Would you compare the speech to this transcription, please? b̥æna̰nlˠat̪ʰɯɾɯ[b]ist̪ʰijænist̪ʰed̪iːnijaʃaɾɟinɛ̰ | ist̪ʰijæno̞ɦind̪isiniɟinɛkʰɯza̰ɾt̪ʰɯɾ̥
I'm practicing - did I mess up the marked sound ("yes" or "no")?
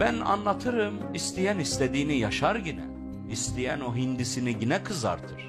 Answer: yes